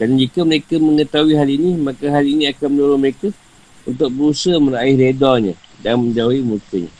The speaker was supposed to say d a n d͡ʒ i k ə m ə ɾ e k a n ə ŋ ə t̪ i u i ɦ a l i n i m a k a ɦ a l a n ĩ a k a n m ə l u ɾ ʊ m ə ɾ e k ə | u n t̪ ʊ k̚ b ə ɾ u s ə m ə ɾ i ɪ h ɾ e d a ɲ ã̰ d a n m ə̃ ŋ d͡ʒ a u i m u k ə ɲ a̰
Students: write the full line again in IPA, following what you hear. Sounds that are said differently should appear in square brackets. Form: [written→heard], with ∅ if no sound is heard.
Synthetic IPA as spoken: d a n d͡ʒ i k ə m ə ɾ e k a [n→m] ə ŋ ə t̪ [i→a] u i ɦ a l i n i m a k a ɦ a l [a→i] n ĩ a k a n m ə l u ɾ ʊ m ə ɾ e k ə | u n t̪ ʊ k̚ b ə ɾ u s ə m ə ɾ [i→a] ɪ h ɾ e d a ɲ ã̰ d a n m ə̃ [ŋ→ɲ] d͡ʒ a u i m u k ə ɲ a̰